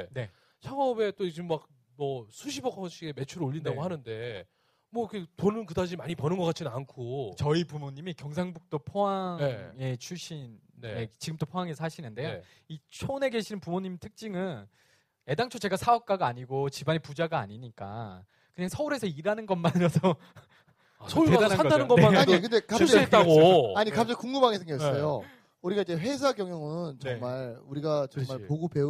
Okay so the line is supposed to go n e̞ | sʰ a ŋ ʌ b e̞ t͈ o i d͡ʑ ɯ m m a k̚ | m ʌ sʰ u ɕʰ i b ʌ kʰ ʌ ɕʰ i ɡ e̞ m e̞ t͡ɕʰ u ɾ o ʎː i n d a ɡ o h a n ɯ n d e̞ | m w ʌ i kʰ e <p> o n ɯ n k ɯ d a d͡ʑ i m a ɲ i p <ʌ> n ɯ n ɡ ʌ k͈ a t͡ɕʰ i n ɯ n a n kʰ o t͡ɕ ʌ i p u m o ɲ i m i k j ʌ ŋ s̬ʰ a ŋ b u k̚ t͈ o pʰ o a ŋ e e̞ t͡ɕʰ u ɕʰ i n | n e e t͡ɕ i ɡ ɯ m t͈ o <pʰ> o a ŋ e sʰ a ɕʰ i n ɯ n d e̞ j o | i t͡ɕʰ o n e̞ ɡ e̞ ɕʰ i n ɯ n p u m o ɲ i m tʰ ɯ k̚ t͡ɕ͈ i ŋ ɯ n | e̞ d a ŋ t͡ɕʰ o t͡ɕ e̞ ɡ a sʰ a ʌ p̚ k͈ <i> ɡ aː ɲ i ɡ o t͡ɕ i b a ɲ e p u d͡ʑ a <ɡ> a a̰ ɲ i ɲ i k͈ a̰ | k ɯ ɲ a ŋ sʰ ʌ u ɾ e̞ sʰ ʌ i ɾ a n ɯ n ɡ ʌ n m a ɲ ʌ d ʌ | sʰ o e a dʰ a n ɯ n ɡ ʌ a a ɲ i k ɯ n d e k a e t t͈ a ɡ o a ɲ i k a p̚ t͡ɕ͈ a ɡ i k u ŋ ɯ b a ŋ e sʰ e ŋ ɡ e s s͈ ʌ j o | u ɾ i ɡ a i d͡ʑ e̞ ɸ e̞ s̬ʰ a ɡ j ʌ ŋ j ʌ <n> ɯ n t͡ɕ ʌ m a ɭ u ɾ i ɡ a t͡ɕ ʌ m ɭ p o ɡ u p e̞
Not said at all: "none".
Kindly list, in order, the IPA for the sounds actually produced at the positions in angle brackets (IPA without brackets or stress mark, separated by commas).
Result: t, ʌ, pʰ, a, ɡ, ŋ